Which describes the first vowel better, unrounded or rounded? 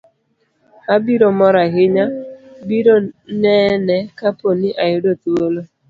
unrounded